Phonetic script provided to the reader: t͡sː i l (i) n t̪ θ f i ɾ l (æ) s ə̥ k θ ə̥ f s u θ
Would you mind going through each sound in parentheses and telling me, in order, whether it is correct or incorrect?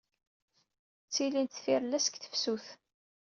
correct, correct

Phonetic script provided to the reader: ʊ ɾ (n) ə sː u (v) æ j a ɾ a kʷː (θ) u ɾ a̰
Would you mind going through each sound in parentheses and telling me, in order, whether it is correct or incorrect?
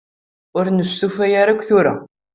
correct, incorrect: f, correct

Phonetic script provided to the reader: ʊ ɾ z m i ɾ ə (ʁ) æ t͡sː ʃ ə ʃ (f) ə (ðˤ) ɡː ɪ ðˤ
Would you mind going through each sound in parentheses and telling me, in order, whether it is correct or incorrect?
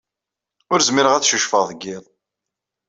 correct, correct, correct

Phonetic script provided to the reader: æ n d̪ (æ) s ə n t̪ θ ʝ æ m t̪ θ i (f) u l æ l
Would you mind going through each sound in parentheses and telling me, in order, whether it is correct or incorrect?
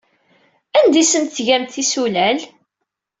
incorrect: i, incorrect: s

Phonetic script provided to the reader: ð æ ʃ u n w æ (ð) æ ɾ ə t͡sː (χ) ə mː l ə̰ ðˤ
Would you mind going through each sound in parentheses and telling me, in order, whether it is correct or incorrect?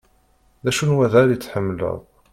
correct, incorrect: ħ

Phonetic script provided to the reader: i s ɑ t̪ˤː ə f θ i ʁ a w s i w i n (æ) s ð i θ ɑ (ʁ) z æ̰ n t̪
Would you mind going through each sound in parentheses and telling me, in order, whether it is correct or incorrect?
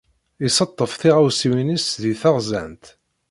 incorrect: i, correct

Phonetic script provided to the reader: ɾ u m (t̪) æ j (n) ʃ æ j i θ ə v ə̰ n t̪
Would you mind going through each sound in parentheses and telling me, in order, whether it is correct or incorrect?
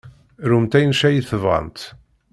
correct, correct

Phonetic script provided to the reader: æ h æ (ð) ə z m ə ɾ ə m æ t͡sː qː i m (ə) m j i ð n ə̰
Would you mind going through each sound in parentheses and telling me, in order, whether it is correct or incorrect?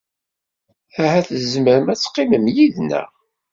incorrect: θ, correct

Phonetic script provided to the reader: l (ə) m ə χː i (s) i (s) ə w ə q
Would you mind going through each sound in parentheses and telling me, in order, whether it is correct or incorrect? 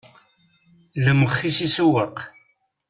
correct, correct, correct

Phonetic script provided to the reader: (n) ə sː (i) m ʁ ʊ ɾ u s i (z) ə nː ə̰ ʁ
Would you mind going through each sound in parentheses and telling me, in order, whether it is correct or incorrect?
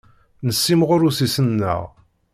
correct, correct, incorrect: s

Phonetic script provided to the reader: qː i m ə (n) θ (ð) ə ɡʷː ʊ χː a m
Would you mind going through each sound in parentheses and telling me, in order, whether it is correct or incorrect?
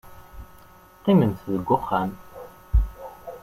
correct, correct

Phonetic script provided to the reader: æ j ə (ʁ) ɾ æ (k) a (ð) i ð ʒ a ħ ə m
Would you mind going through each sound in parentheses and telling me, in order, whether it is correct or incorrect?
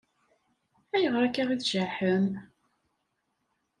correct, correct, incorrect: ʁ

